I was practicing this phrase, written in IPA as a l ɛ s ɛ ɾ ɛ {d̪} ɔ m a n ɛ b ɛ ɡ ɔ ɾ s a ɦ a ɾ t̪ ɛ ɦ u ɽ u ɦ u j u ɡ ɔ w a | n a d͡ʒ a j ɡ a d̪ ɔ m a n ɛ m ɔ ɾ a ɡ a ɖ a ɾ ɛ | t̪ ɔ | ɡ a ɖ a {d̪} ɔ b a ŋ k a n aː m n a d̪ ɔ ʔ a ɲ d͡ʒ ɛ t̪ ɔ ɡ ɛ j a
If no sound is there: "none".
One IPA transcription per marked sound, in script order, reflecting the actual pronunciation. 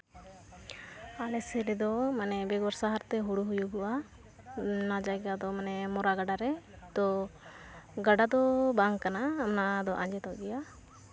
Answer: d̪, d̪

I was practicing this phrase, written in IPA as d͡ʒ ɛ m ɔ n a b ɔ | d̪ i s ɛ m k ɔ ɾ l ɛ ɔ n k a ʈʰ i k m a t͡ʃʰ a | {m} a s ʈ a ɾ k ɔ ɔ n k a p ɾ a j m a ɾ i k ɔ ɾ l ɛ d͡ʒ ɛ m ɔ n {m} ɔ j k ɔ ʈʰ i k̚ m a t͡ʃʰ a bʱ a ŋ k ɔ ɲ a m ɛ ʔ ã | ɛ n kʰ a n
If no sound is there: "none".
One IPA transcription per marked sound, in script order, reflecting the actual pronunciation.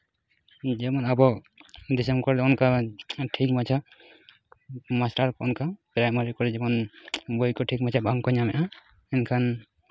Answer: m, b

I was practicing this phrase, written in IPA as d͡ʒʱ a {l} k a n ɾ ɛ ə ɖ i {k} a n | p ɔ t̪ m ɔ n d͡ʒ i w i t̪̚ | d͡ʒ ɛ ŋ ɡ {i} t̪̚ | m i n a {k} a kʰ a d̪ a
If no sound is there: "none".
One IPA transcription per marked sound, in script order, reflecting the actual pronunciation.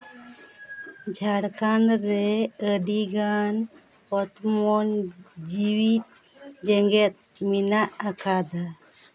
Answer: ɽ, ɡ, ɛ, ʔ

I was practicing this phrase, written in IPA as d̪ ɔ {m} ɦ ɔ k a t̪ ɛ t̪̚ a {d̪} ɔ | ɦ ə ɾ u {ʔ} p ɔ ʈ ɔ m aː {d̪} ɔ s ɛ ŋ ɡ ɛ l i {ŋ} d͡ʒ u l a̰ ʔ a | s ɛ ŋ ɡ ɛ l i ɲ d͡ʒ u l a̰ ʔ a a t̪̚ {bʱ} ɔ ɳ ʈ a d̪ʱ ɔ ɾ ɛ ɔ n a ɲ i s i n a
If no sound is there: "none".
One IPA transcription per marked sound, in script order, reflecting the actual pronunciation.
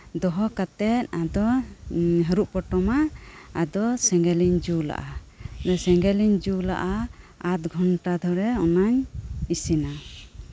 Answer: none, d̪, ʔ, d̪, ɲ, ɡʱ

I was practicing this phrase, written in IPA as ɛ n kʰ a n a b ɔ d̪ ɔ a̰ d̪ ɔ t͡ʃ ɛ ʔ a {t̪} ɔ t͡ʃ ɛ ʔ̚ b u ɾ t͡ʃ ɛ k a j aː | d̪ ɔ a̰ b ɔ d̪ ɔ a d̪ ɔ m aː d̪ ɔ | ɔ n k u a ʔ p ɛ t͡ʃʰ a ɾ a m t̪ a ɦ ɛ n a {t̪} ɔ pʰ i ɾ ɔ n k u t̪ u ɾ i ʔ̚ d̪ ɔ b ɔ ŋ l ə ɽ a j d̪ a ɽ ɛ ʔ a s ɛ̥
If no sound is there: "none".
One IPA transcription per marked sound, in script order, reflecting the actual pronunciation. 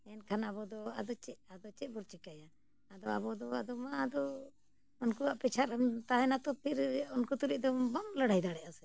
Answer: d̪, t̪

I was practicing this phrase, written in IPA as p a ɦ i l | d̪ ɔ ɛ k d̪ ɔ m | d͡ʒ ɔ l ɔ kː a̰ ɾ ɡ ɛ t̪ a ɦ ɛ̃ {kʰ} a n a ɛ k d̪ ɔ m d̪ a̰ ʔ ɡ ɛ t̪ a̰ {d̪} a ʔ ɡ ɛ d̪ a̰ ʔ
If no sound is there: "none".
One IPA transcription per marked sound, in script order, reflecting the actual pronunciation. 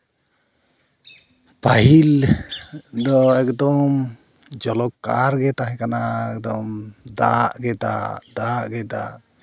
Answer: k, d̪

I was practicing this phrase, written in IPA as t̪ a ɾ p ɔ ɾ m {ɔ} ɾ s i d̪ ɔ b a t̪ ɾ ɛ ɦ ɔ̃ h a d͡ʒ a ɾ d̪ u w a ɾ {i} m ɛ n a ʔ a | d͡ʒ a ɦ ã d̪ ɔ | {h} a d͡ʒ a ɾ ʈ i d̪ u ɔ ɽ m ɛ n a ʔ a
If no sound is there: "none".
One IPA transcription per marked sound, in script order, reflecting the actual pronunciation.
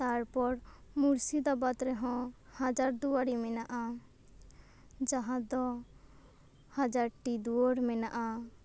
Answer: u, i, h

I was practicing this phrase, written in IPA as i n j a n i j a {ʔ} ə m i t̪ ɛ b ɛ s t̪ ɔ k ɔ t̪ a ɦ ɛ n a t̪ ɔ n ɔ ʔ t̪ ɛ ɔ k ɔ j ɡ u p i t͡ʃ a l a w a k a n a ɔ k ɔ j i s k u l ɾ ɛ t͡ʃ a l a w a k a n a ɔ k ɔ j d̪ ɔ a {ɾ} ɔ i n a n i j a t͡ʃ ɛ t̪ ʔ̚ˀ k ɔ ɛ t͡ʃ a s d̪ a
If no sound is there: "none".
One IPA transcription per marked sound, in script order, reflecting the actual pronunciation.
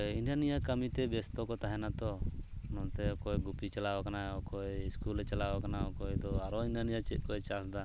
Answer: k, ɾ

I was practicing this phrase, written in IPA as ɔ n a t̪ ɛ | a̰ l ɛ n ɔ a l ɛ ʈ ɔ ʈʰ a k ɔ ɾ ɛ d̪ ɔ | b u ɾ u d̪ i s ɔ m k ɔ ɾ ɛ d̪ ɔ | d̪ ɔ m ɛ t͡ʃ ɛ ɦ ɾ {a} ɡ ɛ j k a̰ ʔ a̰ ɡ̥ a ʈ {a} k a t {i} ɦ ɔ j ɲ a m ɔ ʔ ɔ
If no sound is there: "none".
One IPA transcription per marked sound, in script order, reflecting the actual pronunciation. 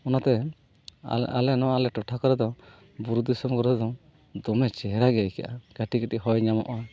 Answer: a, i, i

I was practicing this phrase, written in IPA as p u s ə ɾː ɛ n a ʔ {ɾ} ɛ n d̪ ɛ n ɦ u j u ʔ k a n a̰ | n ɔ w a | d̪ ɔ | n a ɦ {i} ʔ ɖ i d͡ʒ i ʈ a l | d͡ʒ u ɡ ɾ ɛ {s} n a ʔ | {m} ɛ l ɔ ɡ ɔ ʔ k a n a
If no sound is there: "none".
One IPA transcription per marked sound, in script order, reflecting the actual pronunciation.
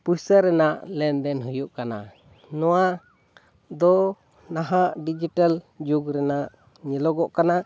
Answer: l, a, none, ɲ

